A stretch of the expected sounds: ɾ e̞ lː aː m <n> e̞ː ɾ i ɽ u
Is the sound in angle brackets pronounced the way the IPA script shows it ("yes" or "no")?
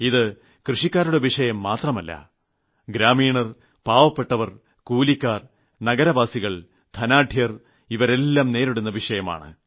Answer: yes